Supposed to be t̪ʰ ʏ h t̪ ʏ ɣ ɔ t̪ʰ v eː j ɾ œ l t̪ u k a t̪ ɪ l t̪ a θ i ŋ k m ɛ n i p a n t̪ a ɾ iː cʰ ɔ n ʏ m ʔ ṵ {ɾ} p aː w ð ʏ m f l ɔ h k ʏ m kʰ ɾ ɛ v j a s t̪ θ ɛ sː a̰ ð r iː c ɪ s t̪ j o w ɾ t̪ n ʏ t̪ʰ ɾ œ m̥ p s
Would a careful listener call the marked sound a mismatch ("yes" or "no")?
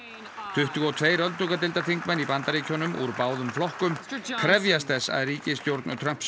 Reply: no